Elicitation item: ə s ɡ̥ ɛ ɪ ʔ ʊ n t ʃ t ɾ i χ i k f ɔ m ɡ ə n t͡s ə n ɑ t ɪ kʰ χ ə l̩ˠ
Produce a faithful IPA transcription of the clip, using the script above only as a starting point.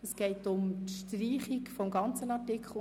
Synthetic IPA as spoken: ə s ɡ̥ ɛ ɪ t ʊ m t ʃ t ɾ iː χ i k f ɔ m ɡ ɑ n t͡s ə n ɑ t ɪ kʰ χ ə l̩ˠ